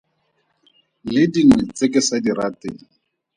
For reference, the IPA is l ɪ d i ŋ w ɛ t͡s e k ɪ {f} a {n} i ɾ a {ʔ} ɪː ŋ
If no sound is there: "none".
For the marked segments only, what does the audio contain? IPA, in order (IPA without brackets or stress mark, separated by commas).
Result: s, d, t